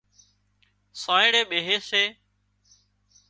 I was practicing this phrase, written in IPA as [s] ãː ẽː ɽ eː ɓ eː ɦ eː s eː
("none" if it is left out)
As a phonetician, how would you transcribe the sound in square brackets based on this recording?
s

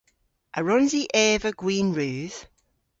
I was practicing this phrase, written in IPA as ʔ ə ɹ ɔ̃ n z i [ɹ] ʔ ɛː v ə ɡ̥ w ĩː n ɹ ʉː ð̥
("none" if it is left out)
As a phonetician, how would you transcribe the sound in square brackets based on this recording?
none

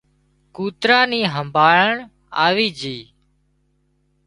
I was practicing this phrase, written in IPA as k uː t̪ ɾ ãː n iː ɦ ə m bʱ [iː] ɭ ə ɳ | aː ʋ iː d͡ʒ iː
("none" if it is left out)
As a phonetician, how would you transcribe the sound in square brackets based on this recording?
aː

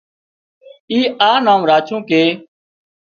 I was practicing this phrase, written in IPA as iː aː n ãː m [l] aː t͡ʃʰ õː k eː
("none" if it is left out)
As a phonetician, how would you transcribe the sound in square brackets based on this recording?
ɾ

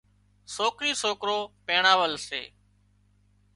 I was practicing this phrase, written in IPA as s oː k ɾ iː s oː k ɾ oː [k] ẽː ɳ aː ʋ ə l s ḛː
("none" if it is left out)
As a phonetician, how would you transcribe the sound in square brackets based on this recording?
p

